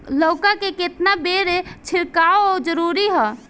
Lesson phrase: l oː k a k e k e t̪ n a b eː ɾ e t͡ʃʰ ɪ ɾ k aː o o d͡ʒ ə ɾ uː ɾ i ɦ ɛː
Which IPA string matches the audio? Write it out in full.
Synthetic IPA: l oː k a k e k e t̪ n a b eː ɾ e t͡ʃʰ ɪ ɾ k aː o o d͡ʒ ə ɾ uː ɾ i ɦ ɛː